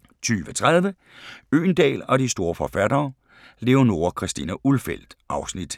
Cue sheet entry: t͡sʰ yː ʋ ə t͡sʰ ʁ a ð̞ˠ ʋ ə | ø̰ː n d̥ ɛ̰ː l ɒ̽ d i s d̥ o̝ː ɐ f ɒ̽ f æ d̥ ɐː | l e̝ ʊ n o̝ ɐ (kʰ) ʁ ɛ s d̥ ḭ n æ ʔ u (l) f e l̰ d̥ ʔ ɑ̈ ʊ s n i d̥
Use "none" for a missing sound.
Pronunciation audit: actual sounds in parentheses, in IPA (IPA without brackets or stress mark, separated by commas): kʰ, l